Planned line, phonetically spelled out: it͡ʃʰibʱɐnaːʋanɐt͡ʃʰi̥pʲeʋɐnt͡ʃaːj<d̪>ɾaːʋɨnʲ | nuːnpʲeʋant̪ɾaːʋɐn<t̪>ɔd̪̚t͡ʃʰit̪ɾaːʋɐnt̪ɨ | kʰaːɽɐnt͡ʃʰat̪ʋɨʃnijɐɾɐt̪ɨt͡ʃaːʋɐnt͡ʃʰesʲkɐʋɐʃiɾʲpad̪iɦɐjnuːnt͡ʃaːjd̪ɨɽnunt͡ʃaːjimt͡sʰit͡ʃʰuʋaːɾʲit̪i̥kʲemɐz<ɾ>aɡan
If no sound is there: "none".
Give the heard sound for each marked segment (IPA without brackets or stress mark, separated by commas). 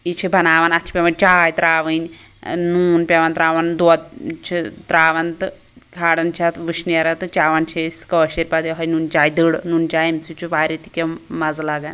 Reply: t̪, d̪, l